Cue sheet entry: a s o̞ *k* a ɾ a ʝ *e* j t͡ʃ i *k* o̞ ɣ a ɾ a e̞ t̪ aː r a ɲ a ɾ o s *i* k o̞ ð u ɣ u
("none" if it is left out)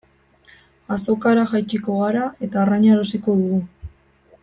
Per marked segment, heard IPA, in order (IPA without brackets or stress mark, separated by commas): k, a, k, i